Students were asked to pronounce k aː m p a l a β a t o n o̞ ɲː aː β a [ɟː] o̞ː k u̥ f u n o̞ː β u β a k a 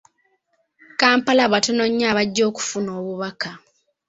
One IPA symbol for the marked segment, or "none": ɟː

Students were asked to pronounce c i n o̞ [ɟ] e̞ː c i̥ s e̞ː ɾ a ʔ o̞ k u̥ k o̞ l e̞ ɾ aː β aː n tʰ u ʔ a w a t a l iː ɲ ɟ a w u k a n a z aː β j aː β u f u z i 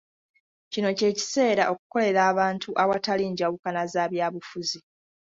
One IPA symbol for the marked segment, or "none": c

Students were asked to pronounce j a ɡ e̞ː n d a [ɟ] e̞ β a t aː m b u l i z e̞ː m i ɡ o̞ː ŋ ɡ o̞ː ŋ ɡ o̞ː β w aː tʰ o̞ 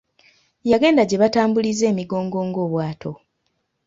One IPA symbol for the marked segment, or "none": ɟ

